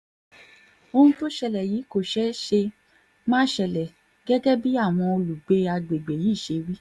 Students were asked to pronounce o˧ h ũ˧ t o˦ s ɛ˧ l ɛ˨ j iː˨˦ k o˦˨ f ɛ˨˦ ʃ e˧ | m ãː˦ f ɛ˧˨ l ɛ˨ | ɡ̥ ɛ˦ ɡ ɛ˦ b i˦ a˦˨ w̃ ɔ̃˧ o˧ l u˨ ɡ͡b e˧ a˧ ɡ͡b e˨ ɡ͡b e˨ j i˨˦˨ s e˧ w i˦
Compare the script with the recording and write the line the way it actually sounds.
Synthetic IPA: o˧ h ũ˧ t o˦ ʃ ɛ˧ l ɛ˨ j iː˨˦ k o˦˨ ʃ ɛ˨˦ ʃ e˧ | m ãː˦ ʃ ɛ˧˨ l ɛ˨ | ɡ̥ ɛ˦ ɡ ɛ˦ b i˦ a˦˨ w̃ ɔ̃˧ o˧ l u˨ ɡ͡b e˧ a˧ ɡ͡b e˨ ɡ͡b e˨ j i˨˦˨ ʃ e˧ w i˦